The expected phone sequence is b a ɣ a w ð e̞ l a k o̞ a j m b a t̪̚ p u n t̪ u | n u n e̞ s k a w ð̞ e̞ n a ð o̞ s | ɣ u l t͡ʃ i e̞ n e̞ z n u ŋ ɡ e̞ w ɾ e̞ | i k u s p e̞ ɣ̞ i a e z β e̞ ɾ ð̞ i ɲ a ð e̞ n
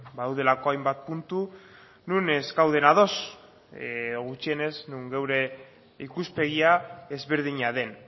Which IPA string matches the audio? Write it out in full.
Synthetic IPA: b a ð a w ð e̞ l a k o̞ a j m b a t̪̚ p u n t̪ u | n u n e̞ s k a w ð̞ e̞ n a ð o̞ s | ɣ u t͡ʃ i e̞ n e̞ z n u ŋ ɡ e̞ w ɾ e̞ | i k u s p e̞ ɣ̞ i a e z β e̞ ɾ ð̞ i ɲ a ð e̞ n